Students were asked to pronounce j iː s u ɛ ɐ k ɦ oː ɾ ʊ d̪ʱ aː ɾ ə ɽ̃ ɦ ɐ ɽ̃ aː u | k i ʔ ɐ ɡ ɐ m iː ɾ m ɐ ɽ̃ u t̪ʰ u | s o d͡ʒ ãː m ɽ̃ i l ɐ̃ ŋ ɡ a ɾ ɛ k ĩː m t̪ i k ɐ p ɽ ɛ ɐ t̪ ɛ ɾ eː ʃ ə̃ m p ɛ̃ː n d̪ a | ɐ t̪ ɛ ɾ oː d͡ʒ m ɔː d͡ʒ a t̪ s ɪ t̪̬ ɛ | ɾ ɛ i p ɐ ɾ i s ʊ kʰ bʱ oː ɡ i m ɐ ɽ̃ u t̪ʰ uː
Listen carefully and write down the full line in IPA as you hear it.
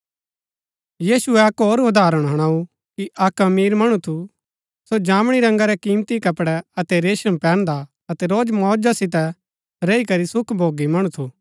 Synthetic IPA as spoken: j iː s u ɛ ɐ k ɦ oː ɾ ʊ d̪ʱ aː ɾ ə ɽ̃ ɦ ɐ ɽ̃ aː u | k i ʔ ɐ k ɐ m iː ɾ m ɐ ɽ̃ u t̪ʰ u | s o d͡ʒ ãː m ɽ̃ i ɾ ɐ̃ ŋ ɡ a ɾ ɛ k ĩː m t̪ i k ɐ p ɽ ɛ ɐ t̪ ɛ ɾ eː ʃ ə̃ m p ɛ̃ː n d̪ a | ɐ t̪ ɛ ɾ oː d͡ʒ m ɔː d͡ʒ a s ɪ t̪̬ ɛ | ɾ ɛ i k ɐ ɾ i s ʊ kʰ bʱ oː ɡ i m ɐ ɽ̃ u t̪ʰ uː

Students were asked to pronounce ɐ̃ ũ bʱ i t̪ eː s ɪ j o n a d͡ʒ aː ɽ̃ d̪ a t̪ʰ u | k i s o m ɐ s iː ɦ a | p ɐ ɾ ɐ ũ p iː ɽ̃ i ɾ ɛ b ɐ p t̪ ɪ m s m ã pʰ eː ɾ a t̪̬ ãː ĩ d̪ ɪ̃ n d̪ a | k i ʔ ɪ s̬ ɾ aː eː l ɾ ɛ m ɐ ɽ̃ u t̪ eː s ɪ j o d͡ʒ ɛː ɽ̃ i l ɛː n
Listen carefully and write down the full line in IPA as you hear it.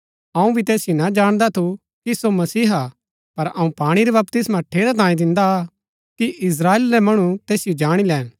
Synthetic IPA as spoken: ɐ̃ ũ bʱ i t̪ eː s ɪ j o n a d͡ʒ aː ɽ̃ d̪ a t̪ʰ u | k i s o m ɐ s iː ɦ a | p ɐ ɾ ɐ ũ p aː ɽ̃ i ɾ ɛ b ɐ p t̪ ɪ s m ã ʈʰ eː ɾ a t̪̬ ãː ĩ d̪ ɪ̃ n d̪ a | k i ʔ ɪ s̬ ɾ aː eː l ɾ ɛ m ɐ ɽ̃ u t̪ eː s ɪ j o d͡ʒ aː ɽ̃ i l ɛː n

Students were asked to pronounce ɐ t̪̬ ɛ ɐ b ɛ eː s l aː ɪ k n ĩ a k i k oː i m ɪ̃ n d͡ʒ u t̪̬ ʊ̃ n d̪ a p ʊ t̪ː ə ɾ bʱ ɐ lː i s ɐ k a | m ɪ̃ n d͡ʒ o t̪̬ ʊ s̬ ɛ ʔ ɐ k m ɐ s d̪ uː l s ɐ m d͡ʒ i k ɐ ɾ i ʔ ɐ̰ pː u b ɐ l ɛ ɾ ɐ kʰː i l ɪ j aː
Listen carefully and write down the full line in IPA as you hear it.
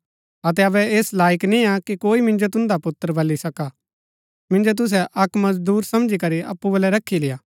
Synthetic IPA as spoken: ɐ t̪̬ ɛ ɐ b ɛ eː s l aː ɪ k n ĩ a k i k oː i m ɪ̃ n d͡ʒ o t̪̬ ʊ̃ n d̪ a p ʊ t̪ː ə ɾ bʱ ɐ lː i s ɐ k a | m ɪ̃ n d͡ʒ o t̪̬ ʊ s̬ ɛ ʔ ɐ k m ɐ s d̪ uː ɾ s ɐ m d͡ʒ i k ɐ ɾ i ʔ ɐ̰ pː u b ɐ l ɛ ɾ ɐ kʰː i l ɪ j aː

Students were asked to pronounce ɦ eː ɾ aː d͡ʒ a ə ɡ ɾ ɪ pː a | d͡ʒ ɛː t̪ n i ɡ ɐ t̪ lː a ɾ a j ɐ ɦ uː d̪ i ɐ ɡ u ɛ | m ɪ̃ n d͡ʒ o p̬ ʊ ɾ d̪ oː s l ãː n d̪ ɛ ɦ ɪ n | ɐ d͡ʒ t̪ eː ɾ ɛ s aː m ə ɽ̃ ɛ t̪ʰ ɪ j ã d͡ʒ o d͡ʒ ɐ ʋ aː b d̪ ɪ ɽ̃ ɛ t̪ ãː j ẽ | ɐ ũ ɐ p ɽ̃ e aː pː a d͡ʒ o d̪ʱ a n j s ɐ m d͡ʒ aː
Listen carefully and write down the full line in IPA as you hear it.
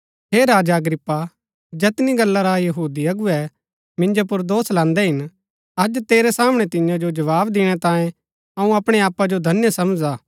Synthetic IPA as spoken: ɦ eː ɾ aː d͡ʒ a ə ɡ ɾ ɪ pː a | d͡ʒ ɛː t̪ n i ɡ ɐ lː a ɾ a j ɐ ɦ uː d̪ i ɐ ɡ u ɛ | m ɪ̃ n d͡ʒ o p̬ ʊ ɾ d̪ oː s l ãː n d̪ ɛ ɦ ɪ n | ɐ d͡ʒ t̪ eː ɾ ɛ s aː m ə ɽ̃ ɛ t̪ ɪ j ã d͡ʒ o d͡ʒ ɐ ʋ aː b d̪ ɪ ɽ̃ ɛ t̪ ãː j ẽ | ɐ ũ ɐ p ɽ̃ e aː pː a d͡ʒ o d̪ʱ ɐ n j s ɐ m d͡ʒ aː

